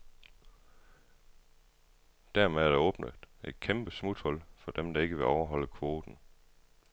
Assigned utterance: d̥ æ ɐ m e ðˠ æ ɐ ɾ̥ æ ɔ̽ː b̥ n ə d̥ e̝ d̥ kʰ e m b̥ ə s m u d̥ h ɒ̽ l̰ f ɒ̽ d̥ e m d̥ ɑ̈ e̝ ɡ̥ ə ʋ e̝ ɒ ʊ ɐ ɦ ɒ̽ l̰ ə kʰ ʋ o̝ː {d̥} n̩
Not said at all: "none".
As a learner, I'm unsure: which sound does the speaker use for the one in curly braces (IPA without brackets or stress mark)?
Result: d̥